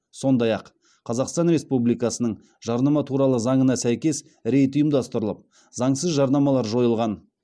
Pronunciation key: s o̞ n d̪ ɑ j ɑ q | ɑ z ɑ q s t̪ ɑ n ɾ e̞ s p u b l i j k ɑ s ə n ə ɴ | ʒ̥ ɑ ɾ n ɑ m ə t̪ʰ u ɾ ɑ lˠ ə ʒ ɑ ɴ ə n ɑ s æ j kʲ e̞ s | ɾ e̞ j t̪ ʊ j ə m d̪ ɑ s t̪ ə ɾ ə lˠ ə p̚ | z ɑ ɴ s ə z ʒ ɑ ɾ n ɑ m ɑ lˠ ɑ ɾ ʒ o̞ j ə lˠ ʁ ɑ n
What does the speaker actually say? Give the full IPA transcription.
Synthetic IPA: s o̞ n d̪ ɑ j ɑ qʰ | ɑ z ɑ q s t̪ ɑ n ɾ e̞ s p u b l i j k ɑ s ə n ə ɴ | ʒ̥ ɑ ɾ n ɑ m ɑ t̪ʰ u ɾ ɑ lˠ ə z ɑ ɴ ə n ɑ s æ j kʲ e̞ s | ɾ e̞ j t̪ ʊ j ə m d̪ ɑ s t̪ ə ɾ ə lˠ ə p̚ | z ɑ ɴ s ə z ʒ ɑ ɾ n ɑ m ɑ lˠ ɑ ɾ ʒ o̞ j ə lˠ ʁ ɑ n